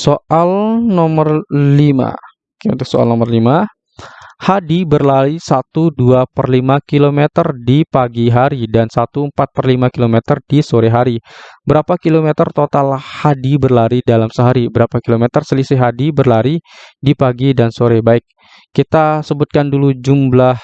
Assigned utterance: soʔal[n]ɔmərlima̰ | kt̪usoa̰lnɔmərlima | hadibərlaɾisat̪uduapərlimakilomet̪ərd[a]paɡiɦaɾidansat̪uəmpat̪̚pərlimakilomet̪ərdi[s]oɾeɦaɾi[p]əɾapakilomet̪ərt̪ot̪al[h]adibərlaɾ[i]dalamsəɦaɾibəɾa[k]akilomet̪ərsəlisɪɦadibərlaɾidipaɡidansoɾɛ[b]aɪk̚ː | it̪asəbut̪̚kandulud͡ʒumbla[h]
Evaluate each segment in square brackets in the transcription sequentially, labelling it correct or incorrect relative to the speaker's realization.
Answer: correct, incorrect: i, correct, incorrect: b, correct, correct, incorrect: p, correct, correct

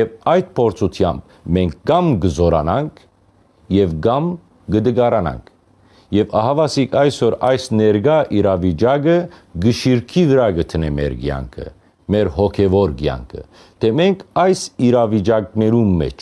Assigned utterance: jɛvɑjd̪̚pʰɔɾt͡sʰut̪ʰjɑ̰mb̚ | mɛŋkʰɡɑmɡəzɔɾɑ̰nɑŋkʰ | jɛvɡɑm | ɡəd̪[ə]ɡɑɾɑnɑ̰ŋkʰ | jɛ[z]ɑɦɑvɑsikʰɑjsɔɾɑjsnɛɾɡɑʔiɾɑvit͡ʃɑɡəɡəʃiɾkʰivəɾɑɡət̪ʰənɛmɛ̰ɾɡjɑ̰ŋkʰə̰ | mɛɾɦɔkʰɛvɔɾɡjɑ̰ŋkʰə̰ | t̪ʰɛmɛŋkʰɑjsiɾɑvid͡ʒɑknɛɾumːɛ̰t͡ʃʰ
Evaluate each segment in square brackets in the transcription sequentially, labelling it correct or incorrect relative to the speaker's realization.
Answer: correct, incorrect: v

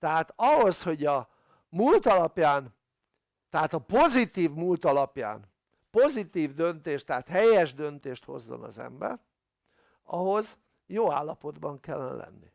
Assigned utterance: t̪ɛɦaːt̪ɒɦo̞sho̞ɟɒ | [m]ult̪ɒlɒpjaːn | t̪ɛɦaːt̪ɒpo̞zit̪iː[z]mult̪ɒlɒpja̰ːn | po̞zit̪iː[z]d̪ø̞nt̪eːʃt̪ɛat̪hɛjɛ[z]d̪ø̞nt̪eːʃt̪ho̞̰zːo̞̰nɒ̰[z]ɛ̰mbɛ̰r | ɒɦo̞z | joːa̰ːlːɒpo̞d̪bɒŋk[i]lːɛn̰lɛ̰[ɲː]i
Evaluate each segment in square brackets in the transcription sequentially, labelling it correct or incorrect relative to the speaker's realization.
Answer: correct, incorrect: v, incorrect: v, incorrect: ʒ, correct, incorrect: ɛ, incorrect: nː

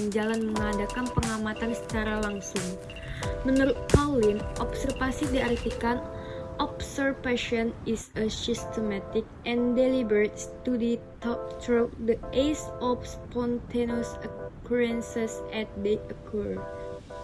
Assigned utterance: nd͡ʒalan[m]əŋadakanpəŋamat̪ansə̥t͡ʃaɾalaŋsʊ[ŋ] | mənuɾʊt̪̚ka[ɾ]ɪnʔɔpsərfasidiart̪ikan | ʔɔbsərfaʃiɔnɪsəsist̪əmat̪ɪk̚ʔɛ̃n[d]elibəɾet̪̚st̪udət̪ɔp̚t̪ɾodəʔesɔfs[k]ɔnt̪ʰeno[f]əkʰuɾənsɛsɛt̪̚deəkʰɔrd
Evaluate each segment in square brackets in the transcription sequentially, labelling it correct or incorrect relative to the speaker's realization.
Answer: correct, correct, incorrect: l, correct, incorrect: p, incorrect: s

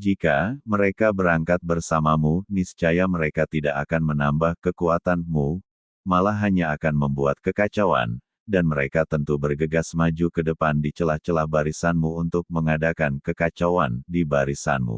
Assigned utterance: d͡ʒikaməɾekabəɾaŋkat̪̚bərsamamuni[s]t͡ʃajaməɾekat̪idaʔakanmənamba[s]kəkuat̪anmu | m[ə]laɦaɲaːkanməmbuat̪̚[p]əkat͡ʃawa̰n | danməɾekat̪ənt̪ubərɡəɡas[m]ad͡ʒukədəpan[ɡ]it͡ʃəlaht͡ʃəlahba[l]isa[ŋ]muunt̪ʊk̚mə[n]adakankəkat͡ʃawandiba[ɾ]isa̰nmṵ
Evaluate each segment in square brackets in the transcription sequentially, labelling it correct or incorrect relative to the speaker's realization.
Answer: correct, incorrect: h, incorrect: a, incorrect: k, correct, incorrect: d, incorrect: ɾ, incorrect: n, incorrect: ŋ, correct

